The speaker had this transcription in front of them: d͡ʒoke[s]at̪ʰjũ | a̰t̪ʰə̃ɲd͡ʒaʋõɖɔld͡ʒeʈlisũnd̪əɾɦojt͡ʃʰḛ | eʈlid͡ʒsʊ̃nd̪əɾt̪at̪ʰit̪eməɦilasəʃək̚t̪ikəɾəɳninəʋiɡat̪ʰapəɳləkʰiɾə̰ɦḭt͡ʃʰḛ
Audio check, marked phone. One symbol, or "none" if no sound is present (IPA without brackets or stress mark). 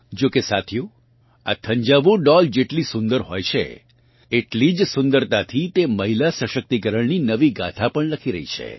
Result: s